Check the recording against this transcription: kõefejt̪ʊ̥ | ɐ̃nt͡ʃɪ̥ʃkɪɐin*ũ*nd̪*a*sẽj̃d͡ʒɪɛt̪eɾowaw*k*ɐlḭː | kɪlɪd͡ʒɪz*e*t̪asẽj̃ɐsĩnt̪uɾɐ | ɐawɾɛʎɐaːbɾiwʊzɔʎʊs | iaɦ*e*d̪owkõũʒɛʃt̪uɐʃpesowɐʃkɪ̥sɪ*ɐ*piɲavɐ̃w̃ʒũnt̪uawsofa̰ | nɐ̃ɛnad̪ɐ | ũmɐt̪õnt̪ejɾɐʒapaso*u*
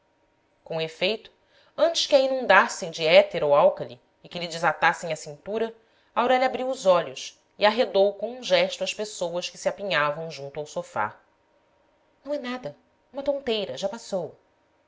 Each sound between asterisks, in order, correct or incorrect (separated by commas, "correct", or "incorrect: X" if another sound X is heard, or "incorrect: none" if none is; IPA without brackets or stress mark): correct, correct, correct, incorrect: a, correct, incorrect: a, incorrect: w